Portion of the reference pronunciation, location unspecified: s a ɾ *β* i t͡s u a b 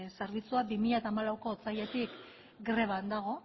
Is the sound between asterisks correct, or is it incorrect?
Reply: correct